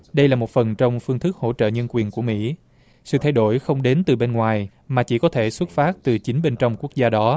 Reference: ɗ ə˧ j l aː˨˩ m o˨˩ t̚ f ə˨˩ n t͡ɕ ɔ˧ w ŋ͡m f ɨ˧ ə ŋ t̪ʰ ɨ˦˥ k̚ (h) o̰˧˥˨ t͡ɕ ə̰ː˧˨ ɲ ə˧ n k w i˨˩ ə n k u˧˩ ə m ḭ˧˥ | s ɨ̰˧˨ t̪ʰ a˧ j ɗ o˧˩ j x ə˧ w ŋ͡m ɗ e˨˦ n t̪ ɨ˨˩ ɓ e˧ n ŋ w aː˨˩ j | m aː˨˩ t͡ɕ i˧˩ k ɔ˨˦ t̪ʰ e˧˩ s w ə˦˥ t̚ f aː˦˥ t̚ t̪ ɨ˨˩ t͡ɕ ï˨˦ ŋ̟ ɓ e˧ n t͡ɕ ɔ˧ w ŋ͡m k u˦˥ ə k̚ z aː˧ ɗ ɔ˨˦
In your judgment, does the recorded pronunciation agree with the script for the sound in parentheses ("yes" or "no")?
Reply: yes